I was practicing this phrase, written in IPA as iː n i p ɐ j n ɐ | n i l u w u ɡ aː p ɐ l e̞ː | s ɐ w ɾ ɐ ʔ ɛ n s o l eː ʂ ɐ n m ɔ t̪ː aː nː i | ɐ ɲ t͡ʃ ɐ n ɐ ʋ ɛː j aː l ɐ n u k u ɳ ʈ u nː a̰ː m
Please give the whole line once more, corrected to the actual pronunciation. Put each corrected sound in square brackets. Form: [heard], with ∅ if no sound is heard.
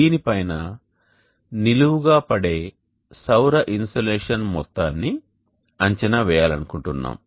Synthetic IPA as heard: iː n i p ɐ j n ɐ | n i l u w u ɡ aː p ɐ [ɽ] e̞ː | s ɐ w ɾ ɐ ʔ [i] n s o l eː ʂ ɐ n m ɔ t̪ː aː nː i | ɐ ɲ t͡ʃ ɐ n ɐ ʋ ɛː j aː l ɐ n u k u ɳ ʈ u nː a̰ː m

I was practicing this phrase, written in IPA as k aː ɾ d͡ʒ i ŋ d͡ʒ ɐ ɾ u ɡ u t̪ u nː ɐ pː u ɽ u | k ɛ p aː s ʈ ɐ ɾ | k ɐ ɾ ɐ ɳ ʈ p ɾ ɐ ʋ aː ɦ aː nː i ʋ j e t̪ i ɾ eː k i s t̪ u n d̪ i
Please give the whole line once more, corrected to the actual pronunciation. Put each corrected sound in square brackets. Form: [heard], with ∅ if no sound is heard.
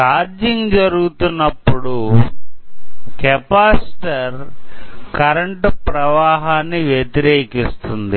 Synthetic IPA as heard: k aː ɾ d͡ʒ i ŋ d͡ʒ ɐ ɾ u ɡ u t̪ u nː ɐ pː u ɽ u | k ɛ p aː s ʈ ɐ ɾ | k ɐ ɾ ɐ ɳ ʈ p ɾ ɐ ʋ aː ɦ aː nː i ʋ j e t̪ i ɾ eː k i s t̪ u n d̪ i

